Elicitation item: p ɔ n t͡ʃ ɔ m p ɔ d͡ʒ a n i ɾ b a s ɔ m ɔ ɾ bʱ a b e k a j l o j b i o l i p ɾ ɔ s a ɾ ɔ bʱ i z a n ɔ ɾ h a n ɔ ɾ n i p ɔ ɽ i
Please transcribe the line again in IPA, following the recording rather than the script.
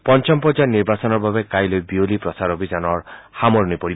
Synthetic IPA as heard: p ɔ n t͡ʃ ɔ m p ɔ d͡ʒ a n i ɾ b a s ɔ n ɔ ɾ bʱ a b e k a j l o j b i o l i p ɾ ɔ s a ɾ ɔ bʱ i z a n ɔ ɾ h a m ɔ ɾ n i p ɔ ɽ i